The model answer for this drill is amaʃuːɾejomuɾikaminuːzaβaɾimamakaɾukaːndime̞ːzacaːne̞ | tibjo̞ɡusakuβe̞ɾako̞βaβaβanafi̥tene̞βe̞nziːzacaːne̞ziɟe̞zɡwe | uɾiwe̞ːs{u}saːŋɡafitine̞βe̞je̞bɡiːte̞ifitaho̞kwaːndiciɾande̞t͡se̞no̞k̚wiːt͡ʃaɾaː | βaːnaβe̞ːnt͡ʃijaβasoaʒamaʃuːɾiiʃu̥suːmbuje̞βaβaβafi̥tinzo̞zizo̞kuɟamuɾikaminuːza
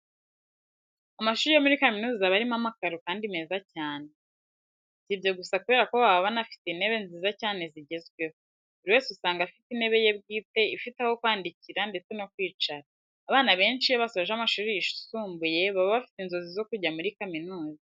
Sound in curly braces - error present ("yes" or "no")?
no